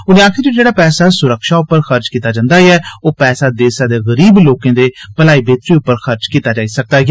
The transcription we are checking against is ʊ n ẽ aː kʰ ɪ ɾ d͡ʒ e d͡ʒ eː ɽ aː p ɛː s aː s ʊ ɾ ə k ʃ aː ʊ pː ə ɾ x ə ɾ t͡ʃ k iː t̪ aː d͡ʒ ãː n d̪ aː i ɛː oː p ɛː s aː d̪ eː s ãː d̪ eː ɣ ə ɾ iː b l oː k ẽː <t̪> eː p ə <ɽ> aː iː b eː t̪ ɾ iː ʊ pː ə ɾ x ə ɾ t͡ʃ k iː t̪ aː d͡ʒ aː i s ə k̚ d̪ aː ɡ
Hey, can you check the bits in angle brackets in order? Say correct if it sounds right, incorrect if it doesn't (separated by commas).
incorrect, incorrect